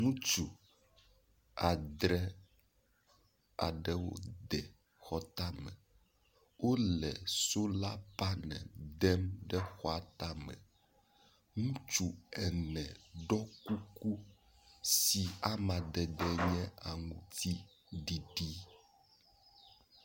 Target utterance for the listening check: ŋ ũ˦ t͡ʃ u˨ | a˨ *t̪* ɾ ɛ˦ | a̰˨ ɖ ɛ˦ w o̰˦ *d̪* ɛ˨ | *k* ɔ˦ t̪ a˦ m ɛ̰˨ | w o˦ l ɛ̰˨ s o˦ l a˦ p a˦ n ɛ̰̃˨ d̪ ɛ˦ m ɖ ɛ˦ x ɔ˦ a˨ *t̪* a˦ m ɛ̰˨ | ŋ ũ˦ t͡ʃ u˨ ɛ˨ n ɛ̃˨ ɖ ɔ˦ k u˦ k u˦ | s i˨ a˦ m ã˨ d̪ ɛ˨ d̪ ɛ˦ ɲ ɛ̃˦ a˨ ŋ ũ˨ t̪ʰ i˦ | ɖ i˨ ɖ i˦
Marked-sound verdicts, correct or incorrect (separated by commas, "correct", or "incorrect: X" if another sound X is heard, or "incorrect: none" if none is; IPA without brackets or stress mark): incorrect: d̪, correct, incorrect: x, correct